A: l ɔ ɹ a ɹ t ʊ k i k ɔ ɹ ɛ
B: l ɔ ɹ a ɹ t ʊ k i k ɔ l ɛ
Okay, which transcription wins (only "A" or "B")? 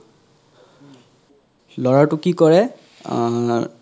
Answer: A